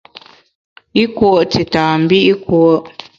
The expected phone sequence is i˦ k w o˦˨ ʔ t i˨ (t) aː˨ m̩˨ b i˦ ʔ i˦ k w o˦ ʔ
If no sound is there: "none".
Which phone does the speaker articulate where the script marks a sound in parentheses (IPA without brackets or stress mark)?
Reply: t